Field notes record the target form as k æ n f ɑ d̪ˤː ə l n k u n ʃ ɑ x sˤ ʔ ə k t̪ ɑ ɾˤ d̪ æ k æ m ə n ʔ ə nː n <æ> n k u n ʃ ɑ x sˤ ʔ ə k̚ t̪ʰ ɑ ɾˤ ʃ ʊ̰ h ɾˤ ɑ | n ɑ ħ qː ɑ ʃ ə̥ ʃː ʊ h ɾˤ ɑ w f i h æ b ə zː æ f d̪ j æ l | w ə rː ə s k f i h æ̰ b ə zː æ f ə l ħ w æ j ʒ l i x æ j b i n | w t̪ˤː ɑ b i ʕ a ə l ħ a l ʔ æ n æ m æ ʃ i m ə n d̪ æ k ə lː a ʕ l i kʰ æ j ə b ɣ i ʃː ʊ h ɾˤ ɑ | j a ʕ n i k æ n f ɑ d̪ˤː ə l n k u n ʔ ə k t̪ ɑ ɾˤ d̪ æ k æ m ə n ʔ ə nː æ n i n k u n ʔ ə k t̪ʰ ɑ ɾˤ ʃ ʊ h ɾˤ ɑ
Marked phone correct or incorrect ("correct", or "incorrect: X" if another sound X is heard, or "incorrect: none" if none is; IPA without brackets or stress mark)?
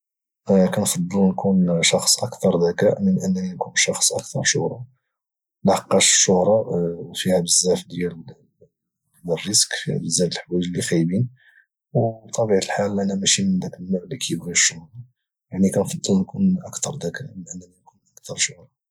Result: incorrect: i